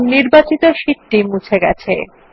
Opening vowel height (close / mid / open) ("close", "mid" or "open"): close